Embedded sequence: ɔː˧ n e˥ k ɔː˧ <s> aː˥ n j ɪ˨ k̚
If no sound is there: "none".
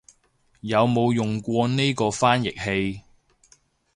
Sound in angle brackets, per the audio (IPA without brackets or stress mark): f